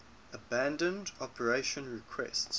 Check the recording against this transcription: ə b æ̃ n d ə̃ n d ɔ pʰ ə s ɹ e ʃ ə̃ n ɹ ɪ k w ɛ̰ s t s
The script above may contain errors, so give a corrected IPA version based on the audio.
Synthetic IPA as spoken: ə b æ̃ n d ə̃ n d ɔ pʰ ə ɹ e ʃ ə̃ n ɹ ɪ kʰ w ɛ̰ s t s